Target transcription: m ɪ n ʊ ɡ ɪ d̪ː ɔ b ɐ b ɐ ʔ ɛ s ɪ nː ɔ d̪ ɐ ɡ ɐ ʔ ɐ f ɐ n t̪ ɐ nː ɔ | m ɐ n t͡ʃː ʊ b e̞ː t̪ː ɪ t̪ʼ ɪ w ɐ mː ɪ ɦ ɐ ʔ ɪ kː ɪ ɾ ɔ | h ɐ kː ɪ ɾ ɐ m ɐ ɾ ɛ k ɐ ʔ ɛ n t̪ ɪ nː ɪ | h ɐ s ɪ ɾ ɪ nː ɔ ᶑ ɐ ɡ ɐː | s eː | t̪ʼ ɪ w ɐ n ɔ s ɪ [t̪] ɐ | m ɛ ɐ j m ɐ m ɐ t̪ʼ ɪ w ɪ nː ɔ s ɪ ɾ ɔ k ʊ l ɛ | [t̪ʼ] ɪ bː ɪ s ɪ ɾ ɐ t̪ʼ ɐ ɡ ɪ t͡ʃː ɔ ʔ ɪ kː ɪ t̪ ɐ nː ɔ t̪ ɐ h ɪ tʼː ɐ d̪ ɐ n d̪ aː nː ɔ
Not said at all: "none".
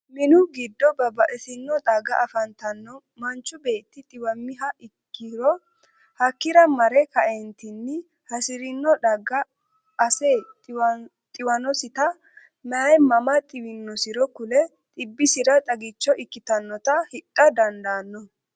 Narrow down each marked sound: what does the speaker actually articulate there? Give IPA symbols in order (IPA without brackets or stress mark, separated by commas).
t̪, t̪ʼ